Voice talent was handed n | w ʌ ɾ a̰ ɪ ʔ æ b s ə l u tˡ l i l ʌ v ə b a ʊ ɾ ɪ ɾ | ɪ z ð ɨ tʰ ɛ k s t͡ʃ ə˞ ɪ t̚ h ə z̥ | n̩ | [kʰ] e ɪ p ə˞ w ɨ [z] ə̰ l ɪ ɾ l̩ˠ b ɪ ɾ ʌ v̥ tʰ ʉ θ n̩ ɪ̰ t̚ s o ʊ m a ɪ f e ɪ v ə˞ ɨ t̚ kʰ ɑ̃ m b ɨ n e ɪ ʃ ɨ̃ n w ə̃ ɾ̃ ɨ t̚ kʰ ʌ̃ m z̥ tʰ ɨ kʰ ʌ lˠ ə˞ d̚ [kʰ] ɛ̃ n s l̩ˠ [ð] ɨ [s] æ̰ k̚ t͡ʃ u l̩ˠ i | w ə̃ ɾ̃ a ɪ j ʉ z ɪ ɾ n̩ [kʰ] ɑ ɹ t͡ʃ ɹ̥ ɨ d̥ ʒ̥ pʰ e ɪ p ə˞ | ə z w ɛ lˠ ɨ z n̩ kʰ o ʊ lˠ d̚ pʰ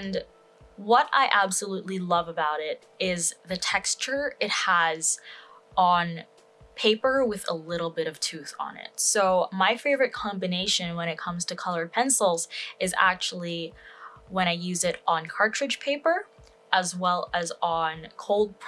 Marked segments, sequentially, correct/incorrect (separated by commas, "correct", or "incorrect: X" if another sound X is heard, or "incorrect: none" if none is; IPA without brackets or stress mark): incorrect: pʰ, incorrect: ð, incorrect: pʰ, incorrect: z, incorrect: z, correct